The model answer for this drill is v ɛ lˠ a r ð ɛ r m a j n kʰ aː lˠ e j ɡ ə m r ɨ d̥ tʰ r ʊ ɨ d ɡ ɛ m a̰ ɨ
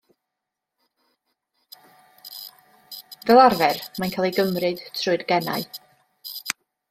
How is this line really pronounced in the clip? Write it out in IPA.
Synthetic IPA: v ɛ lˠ a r v ɛ r m a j n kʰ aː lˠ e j ɡ ə m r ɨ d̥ tʰ r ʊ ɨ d ɡ ɛ n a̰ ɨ